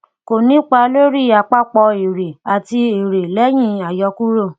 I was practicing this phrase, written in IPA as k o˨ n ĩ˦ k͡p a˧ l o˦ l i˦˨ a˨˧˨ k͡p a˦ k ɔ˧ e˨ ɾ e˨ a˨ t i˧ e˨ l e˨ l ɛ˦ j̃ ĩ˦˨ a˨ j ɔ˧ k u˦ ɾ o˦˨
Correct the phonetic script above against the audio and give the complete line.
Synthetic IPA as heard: k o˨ n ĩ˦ k͡p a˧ l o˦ ɾ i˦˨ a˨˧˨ k͡p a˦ k͡p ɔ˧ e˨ ɾ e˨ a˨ t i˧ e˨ ɾ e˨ l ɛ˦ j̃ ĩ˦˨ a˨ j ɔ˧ k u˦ ɾ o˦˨